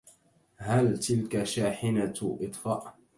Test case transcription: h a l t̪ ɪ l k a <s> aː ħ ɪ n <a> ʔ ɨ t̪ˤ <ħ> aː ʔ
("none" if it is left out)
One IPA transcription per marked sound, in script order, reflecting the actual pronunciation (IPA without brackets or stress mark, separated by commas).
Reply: ʃ, a, f